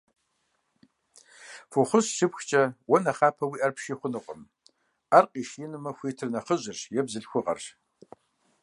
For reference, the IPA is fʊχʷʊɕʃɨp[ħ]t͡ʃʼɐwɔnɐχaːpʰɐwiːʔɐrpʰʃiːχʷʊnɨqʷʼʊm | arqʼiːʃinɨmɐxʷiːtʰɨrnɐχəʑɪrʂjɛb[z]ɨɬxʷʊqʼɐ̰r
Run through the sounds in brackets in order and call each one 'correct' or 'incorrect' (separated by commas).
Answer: incorrect, correct